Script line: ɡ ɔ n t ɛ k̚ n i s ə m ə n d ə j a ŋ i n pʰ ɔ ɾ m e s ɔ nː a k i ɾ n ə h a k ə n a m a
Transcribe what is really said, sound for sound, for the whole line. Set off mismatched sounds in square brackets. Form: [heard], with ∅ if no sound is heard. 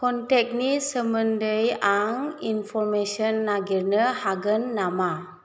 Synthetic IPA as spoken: [k] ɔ n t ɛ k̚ n i s ə m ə n d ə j a ŋ i n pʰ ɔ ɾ m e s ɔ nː a [ɡ] i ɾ n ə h a [ɡ] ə [nː] a m a